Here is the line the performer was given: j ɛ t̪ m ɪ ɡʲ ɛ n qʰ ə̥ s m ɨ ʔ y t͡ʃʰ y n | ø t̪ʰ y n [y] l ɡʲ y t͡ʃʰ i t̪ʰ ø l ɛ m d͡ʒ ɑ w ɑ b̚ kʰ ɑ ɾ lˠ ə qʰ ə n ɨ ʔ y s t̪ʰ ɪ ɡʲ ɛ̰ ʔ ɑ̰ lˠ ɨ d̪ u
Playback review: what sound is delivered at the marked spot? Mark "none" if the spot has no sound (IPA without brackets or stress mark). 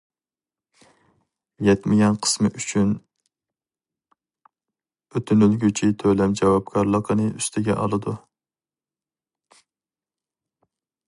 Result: y